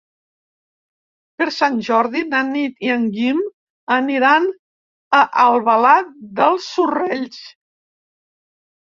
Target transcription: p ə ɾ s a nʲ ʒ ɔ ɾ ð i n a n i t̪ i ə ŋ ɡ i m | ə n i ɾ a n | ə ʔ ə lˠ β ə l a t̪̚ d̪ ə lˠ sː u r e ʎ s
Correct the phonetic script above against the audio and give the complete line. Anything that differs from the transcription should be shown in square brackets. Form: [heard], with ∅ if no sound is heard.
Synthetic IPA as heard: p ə ɾ s a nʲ ʒ ɔ ɾ ð i n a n i t̪ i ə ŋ ɡ i m | ə n i ɾ a n | ə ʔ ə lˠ β ə l a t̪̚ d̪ ə lˠ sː u r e ʎ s